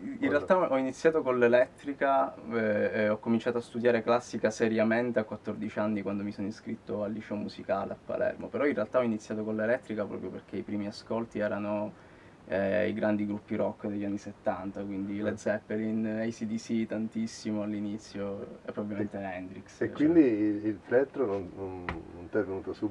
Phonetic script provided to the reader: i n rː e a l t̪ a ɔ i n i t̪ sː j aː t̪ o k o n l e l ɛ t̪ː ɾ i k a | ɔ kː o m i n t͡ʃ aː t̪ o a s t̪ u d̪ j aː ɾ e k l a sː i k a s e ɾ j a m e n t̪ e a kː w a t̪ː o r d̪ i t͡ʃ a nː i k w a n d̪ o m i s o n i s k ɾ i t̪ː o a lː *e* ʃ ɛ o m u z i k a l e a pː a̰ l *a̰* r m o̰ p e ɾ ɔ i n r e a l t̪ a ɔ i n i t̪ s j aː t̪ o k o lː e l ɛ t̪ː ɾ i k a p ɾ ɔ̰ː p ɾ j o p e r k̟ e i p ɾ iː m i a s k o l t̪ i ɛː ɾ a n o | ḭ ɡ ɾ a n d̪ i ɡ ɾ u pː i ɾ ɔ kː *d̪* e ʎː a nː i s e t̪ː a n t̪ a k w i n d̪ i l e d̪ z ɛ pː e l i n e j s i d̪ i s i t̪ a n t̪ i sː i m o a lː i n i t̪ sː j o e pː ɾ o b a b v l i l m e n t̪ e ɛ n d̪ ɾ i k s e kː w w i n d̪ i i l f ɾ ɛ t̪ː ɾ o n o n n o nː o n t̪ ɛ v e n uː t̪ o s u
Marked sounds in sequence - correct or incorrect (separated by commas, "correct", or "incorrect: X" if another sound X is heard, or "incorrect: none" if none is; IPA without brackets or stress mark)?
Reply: incorrect: i, incorrect: ɛ̰, correct